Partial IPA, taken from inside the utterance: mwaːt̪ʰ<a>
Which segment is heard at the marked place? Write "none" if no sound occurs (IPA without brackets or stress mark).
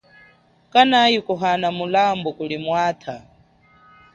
a